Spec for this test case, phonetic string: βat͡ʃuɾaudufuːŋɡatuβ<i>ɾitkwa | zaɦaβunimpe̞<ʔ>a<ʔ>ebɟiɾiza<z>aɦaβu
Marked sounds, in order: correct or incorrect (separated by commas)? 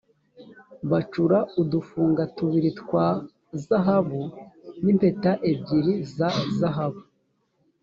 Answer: correct, incorrect, correct, correct